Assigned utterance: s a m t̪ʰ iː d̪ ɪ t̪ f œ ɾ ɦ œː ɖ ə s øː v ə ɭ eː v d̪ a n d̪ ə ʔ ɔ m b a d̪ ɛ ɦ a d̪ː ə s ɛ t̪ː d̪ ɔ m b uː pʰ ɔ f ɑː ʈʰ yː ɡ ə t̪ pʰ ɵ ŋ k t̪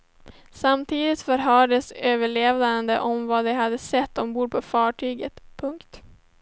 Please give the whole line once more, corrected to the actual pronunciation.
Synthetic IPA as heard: s a m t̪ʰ iː d̪ ɪ t̪ f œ ɾ ɦ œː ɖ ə s øː v ə ɭ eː v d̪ a n d̪ ə ʔ ɔ m v a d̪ ɛ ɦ a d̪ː ə s ɛ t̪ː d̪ ɔ m b uː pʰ ɔ f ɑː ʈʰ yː ɡ ə t̪ pʰ ɵ ŋ k t̪

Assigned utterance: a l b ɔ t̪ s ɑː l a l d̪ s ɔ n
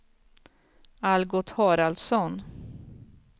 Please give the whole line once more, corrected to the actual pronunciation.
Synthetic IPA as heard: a l ɡ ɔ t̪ h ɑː ɾ a l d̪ s ɔ n

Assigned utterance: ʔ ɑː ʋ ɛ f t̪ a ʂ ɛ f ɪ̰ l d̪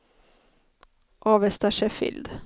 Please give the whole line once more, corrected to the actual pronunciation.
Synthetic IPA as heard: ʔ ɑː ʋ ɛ s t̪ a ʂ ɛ f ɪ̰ l d̪

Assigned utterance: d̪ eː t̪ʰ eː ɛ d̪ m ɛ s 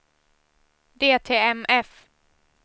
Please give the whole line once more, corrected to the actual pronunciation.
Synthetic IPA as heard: d̪ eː t̪ʰ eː ɛ m ɛ f

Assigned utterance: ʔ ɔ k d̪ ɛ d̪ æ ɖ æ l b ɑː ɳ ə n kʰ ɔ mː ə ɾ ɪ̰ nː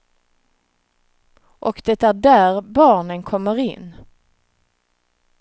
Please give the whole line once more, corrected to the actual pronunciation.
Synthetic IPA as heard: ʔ ɔ k d̪ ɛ t̪ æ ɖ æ ɾ b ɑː ɳ ə n kʰ ɔ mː ə ɾ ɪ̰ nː

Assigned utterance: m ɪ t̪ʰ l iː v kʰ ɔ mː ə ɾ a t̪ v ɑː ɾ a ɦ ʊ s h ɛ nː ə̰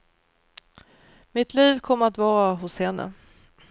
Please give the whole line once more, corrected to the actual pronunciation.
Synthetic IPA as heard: m ɪ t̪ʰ l iː v kʰ ɔ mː ə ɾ a t̪ v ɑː ɾ a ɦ ʊ s h ɛ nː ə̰

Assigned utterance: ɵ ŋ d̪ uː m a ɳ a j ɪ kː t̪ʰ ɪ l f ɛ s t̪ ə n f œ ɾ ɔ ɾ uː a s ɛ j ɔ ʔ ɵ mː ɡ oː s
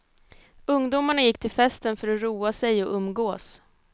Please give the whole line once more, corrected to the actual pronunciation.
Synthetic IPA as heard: ɵ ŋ d̪ uː m a ɳ a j ɪ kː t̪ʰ ɪ l f ɛ s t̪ ə n f œ ɾ ɔ ɾ uː a s ɛ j ɔ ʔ ɵ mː ɡ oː s

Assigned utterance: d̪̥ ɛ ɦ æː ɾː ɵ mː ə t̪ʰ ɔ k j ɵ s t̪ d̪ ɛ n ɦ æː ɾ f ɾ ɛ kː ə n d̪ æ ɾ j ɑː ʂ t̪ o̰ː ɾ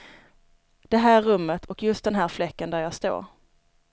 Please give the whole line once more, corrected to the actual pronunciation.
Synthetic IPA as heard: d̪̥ ɛ ɦ æː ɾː ɵ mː ə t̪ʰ ɔ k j ɵ s t̪ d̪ ɛ n ɦ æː ɾ f l ɛ kː ə n d̪ æ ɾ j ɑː s t̪ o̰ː ɾ

